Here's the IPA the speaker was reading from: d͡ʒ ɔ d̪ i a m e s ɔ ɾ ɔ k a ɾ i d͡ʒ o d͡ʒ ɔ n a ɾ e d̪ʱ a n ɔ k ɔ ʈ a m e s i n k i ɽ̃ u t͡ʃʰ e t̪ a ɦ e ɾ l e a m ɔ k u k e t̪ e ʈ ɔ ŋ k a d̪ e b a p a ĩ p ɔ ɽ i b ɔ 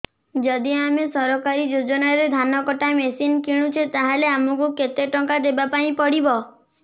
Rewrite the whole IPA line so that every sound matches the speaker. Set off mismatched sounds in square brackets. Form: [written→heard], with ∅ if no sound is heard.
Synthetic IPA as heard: d͡ʒ ɔ d̪ i a m e s ɔ ɾ ɔ k a ɾ i d͡ʒ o d͡ʒ ɔ n a ɾ e d̪ʱ a n ɔ k ɔ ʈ a m e s i n k i ɽ̃ u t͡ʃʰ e t̪ a ɦ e [ɾ→∅] l e a m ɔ k u k e t̪ e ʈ ɔ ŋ k a d̪ e b a p a ĩ p ɔ ɽ i b ɔ